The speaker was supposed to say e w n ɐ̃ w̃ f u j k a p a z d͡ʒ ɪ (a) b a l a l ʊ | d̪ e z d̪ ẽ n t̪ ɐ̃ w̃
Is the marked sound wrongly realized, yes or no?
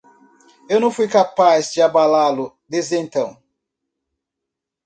no